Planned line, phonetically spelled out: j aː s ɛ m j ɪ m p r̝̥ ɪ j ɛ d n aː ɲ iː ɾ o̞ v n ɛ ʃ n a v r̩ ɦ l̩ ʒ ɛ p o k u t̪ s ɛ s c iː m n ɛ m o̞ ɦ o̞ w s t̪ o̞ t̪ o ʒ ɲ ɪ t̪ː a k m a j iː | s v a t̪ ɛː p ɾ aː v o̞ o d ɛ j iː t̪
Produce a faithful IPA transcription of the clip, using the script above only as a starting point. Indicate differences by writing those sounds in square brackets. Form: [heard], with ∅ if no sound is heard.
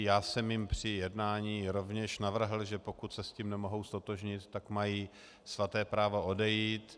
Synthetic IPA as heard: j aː s ɛ m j ɪ m p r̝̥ ɪ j ɛ d n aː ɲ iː ɾ o̞ v [ɲ] ɛ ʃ n a v r̩ ɦ l̩ ʒ ɛ p o k u t̪ s ɛ s c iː m n ɛ m o̞ ɦ o̞ w s t̪ o̞ t̪ o ʒ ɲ ɪ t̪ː a k m a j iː | s v a t̪ ɛː p ɾ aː v o̞ o d ɛ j iː t̪